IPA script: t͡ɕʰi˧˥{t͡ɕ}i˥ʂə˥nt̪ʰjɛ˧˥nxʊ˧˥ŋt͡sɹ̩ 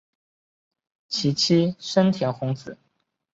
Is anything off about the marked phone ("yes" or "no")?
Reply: yes